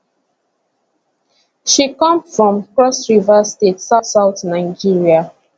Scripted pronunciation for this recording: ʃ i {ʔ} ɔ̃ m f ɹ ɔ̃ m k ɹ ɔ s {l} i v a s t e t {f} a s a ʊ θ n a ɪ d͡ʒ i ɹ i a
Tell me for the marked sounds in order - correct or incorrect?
incorrect: k, incorrect: ɹ, incorrect: s

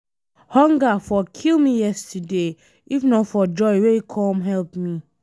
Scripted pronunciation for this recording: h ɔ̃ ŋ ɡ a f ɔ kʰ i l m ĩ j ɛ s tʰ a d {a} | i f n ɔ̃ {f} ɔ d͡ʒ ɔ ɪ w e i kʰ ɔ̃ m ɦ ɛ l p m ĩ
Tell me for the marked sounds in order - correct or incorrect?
incorrect: e, correct

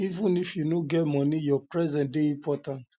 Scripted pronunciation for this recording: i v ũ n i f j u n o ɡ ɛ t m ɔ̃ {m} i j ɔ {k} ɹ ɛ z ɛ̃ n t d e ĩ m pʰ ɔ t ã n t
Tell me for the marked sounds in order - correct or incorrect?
incorrect: n, incorrect: p

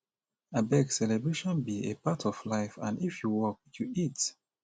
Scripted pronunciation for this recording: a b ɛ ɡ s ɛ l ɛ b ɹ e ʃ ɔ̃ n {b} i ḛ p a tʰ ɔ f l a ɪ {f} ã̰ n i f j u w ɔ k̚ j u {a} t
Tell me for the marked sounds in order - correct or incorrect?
correct, correct, incorrect: i

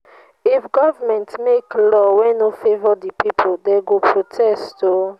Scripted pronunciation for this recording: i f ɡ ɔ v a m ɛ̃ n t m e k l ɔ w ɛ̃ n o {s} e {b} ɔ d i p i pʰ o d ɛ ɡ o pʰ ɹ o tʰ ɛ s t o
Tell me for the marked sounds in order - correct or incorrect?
incorrect: f, incorrect: v

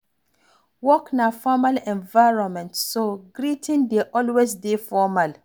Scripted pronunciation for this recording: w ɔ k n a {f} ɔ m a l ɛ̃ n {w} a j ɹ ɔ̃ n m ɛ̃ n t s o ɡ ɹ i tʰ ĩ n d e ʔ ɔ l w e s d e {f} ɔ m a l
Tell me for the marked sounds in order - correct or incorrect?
correct, incorrect: v, correct

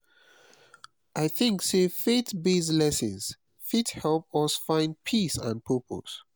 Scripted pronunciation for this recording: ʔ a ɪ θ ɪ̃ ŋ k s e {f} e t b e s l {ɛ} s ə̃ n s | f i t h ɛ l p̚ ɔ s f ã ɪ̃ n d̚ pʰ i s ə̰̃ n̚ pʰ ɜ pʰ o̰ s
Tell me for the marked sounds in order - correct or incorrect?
correct, correct

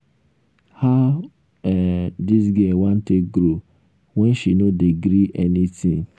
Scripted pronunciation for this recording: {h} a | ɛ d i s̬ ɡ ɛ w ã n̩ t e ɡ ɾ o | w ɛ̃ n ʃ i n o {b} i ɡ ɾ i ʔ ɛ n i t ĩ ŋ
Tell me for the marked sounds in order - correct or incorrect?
correct, incorrect: d

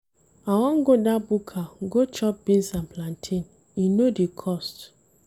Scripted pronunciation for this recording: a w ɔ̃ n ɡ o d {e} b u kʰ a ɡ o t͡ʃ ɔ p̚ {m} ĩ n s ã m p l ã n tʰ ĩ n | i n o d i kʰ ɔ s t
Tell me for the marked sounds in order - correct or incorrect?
incorrect: a, incorrect: b

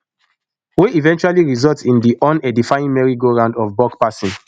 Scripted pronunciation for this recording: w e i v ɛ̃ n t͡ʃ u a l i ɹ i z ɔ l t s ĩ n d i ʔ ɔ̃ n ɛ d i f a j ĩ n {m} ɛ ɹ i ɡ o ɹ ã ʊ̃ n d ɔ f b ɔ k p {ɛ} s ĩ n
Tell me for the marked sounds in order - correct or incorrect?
correct, incorrect: a

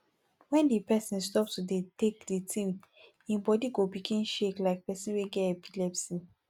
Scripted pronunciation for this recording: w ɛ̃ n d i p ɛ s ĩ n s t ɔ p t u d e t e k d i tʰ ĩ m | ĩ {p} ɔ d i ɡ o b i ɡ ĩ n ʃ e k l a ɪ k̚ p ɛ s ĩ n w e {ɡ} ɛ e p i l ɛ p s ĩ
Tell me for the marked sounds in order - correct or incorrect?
incorrect: b, correct

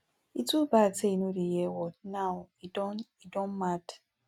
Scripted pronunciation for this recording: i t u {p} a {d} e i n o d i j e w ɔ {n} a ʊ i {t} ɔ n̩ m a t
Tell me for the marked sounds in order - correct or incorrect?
incorrect: b, incorrect: t, correct, incorrect: d

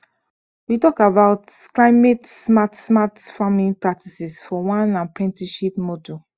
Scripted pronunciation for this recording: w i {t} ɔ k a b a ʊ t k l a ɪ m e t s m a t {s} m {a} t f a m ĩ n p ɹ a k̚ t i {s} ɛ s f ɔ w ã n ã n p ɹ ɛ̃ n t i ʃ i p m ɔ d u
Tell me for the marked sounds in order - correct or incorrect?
correct, correct, correct, correct

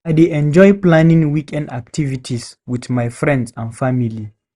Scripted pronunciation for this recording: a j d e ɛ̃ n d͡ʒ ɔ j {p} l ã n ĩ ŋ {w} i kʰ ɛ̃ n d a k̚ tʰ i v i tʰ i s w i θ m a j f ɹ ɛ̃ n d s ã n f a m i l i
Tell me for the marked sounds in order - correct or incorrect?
correct, correct

